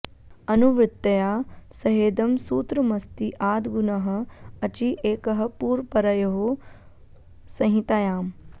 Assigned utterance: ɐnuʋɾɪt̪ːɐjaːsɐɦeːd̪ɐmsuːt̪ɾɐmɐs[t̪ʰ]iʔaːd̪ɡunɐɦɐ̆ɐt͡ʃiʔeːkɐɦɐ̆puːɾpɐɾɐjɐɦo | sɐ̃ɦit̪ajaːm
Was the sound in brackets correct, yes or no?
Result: no